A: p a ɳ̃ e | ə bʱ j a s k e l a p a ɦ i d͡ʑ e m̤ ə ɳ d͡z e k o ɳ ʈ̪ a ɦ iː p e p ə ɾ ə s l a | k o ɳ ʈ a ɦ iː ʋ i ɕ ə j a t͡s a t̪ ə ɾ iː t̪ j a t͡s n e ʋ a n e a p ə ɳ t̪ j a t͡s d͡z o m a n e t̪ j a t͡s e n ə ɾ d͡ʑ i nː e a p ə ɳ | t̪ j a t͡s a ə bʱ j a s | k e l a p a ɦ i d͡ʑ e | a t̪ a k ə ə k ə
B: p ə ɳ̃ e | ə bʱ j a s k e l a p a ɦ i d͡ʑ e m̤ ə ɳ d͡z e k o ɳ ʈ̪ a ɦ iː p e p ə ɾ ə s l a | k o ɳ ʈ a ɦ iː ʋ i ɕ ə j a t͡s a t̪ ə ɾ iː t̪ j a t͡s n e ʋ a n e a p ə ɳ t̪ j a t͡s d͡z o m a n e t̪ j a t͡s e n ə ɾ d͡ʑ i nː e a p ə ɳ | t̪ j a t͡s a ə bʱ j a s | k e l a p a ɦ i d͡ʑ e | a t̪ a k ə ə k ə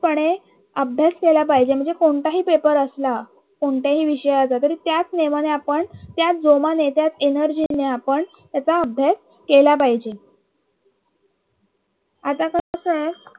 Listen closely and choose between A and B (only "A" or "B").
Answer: B